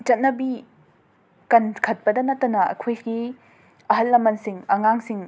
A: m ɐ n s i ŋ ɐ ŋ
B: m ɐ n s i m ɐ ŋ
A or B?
A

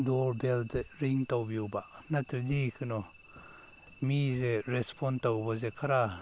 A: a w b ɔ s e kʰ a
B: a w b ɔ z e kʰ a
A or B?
B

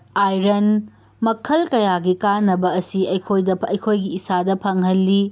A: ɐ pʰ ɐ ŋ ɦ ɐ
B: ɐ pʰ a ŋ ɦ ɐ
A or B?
A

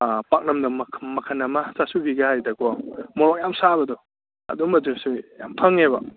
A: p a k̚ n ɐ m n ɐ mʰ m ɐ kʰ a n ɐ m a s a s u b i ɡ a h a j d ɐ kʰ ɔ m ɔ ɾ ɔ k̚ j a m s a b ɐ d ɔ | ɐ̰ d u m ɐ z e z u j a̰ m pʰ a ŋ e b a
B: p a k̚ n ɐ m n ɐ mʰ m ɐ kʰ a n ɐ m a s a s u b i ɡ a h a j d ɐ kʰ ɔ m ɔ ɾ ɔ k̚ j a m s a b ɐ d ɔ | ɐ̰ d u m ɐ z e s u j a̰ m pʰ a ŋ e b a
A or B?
B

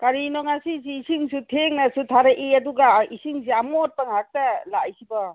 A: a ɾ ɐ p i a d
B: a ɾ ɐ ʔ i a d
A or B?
B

